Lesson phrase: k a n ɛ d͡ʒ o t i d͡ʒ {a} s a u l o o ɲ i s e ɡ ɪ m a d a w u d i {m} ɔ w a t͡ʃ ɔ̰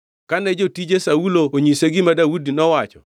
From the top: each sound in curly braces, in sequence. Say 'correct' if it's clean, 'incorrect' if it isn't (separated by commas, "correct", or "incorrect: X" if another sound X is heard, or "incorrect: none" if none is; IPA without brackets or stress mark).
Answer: incorrect: e, incorrect: n